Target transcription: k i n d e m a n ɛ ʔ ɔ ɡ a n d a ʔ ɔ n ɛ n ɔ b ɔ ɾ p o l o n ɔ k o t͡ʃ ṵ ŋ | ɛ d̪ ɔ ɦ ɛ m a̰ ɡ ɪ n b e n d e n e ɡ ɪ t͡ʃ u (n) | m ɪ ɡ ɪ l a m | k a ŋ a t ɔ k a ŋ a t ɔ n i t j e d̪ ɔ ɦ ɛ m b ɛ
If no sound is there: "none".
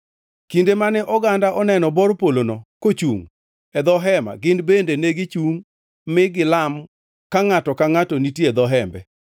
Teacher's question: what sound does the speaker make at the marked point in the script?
ŋ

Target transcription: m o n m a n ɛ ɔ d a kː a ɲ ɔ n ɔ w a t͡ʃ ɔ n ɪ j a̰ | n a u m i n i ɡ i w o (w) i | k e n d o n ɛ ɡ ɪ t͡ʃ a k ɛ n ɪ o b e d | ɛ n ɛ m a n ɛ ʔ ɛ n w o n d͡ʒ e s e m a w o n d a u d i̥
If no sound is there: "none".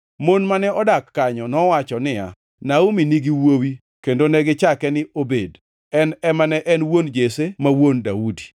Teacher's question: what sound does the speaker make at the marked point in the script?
w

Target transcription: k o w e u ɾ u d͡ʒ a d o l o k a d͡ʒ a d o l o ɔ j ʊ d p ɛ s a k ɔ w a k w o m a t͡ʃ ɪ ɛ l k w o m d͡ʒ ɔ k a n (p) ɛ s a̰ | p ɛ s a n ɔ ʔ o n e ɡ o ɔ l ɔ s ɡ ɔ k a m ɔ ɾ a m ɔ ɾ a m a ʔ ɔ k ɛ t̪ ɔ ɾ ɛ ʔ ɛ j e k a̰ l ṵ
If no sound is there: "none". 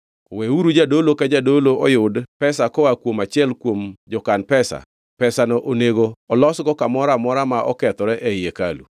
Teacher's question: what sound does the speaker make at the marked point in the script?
p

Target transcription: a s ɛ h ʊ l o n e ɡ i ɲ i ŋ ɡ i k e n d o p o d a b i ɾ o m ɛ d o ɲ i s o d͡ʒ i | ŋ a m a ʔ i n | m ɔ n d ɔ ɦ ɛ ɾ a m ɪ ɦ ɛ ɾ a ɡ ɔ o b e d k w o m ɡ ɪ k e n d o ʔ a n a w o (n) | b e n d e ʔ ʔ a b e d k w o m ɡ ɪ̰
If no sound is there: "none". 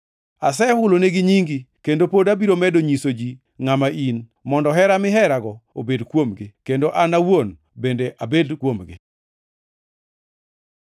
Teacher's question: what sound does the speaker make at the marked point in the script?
n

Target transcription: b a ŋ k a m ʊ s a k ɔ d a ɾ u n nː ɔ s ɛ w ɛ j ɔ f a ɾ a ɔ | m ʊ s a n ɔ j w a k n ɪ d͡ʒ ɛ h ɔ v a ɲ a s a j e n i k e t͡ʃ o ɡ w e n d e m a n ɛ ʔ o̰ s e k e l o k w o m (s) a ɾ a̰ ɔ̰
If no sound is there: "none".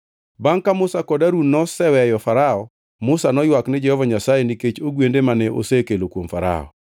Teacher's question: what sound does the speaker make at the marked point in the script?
f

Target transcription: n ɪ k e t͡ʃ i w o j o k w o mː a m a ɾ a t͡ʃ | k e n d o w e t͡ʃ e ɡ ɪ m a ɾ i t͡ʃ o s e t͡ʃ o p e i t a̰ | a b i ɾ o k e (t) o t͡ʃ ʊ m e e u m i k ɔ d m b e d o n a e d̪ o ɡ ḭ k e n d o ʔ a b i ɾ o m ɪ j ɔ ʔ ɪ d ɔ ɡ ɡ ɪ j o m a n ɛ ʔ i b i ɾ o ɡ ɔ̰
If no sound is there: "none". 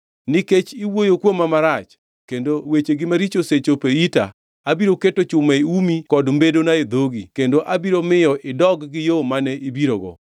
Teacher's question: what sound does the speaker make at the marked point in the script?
t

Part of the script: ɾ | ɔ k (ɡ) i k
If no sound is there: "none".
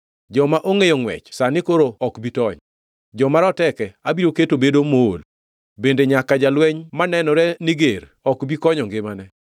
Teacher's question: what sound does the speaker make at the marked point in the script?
b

